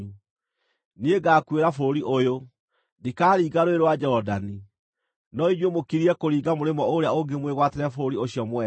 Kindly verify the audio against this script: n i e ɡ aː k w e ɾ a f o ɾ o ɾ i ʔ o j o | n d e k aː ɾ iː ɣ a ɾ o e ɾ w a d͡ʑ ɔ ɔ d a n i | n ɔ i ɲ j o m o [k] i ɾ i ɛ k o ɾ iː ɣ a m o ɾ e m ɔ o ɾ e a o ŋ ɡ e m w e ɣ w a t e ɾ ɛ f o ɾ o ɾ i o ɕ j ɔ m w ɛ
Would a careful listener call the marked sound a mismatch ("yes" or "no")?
no